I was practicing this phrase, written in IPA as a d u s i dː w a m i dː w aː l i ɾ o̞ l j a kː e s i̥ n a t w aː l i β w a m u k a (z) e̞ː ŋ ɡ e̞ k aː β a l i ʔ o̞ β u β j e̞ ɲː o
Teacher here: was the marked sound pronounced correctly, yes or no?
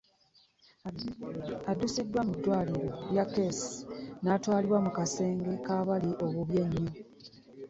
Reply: no